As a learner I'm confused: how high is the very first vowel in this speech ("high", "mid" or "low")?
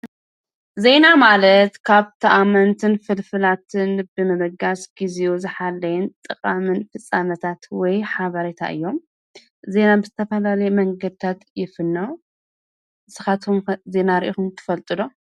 mid